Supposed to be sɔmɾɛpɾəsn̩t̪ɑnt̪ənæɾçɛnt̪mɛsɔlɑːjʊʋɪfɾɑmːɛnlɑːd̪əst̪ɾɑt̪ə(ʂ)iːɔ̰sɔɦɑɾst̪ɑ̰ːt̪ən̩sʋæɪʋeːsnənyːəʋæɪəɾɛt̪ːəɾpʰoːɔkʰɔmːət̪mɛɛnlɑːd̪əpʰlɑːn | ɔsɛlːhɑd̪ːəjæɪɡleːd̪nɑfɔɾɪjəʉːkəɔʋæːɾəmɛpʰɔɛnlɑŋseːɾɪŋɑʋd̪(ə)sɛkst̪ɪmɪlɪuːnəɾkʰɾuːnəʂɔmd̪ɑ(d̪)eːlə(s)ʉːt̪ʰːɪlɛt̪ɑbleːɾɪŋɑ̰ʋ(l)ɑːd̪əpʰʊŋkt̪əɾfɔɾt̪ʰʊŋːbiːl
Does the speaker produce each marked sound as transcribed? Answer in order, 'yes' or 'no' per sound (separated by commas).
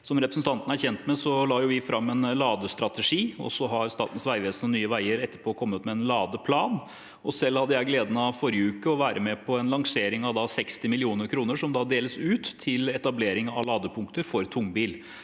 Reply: yes, no, yes, yes, yes